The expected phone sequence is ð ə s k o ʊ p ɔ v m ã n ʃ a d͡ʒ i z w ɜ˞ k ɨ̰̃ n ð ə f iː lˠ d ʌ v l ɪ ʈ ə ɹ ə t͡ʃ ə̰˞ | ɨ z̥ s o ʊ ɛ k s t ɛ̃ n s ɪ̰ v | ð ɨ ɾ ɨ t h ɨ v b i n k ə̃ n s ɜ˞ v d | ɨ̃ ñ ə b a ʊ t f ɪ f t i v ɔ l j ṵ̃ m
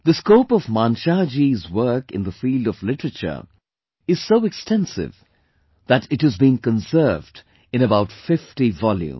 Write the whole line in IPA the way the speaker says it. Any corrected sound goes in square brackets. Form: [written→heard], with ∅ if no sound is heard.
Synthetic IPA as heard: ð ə s k o ʊ p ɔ v m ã n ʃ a d͡ʒ i z w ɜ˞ k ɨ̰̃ n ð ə f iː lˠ d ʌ v l ɪ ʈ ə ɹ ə t͡ʃ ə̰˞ | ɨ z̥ s o ʊ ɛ k s t ɛ̃ n s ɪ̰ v | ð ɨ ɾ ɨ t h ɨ [v→z] b [i→ĩ] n k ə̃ n s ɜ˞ v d | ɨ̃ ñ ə b a ʊ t f ɪ f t i v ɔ l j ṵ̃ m